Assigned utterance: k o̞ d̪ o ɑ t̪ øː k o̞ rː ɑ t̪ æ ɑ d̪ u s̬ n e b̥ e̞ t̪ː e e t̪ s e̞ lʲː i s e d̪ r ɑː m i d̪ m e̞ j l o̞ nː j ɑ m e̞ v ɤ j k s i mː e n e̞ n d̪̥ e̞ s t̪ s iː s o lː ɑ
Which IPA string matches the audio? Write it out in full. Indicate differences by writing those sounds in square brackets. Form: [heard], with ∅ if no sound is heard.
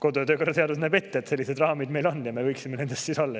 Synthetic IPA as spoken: k o̞ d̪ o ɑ t̪ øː k o̞ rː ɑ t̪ [e] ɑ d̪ u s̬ n [æ] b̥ e̞ t̪ː e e t̪ s e̞ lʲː i s e d̪ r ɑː m i d̪ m e̞ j l o̞ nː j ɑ m e̞ v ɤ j k s i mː e n e̞ n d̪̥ e̞ s t̪ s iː s o lː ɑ